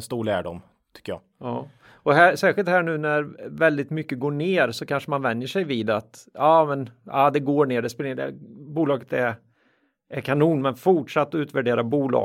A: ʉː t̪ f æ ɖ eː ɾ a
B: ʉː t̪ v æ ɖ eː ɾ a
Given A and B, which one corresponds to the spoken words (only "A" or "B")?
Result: B